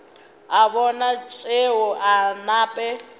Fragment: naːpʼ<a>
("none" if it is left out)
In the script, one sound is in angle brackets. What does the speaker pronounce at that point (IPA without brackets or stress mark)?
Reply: ɛ